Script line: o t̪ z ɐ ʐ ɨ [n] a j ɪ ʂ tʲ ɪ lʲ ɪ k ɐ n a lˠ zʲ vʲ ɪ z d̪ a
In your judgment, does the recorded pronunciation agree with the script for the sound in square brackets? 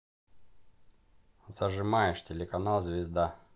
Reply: no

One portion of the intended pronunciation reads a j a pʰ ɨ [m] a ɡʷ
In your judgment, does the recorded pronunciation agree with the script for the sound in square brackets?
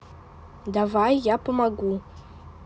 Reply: yes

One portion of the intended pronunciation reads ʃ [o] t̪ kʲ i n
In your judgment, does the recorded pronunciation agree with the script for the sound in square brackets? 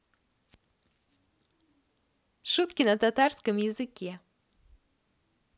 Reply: no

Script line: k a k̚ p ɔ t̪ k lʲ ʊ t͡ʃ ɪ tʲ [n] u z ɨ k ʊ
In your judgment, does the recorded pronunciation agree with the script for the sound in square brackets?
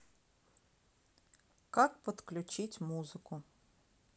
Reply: no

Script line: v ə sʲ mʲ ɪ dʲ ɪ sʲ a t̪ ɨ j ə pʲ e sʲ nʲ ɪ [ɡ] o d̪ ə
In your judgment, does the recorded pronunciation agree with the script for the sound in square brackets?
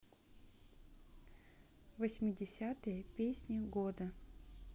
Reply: yes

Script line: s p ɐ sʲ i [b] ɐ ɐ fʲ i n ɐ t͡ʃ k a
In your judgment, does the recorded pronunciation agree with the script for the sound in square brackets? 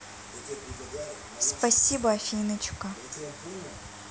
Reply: yes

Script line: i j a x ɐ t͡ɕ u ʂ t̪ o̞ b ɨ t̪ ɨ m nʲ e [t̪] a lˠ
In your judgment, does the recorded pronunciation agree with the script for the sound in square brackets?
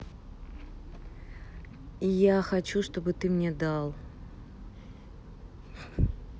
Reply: no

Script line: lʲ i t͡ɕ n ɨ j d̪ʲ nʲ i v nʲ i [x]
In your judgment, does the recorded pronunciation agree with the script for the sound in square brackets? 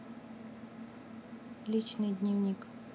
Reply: no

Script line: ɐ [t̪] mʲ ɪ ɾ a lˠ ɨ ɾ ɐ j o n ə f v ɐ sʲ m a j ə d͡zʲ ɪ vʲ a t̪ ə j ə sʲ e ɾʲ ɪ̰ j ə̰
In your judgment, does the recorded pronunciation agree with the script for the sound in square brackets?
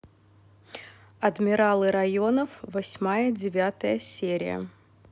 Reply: no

